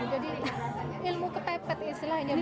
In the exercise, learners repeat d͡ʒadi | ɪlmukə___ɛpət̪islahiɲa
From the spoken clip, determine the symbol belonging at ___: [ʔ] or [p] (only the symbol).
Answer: p